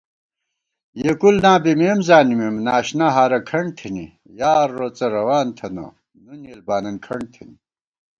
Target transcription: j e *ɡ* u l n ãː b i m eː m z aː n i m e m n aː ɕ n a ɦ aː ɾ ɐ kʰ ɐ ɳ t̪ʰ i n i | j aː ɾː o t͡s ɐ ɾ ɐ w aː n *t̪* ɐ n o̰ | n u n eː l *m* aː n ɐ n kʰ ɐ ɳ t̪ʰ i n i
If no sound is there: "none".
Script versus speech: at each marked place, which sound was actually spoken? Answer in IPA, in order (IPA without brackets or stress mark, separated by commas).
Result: k, t̪ʰ, b